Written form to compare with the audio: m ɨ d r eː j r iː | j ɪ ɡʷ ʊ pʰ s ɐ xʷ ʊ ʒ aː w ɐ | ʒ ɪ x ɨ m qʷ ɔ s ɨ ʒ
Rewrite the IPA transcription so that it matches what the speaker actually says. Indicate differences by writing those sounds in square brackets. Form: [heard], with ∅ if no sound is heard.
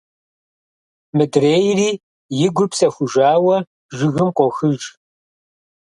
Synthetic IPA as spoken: m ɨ d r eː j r iː | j ɪ ɡʷ ʊ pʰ s ɐ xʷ ʊ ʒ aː w ɐ | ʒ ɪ [ɣ] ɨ m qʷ ɔ [x] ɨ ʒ